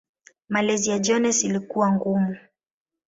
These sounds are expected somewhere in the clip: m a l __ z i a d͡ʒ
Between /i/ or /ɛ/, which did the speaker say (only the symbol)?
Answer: ɛ